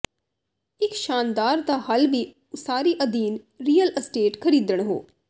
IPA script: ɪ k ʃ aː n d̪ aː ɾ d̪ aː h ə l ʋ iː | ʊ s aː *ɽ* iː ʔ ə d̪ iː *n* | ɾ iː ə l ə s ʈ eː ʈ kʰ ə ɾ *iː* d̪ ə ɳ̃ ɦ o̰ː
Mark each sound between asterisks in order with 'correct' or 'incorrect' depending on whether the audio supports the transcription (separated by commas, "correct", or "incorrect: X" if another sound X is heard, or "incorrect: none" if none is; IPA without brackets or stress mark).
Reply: incorrect: ɾ, correct, correct